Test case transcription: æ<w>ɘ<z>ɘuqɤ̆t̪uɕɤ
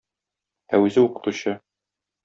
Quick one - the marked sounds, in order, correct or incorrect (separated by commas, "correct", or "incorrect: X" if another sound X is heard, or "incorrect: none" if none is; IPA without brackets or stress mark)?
correct, correct